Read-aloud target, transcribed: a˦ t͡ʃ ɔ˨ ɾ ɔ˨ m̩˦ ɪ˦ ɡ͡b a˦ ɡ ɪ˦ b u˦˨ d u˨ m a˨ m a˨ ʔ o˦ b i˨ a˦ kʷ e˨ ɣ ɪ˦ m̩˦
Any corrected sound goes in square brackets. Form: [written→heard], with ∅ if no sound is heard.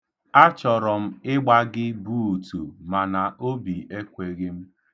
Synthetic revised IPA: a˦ t͡ʃ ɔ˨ ɾ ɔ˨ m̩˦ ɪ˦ ɡ͡b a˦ ɡ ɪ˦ b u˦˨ [d→t] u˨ m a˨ [m→n] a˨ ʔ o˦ b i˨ [a˦→e˦] kʷ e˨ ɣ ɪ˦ m̩˦